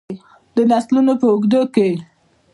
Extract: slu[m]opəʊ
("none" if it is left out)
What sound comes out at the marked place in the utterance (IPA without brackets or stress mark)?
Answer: n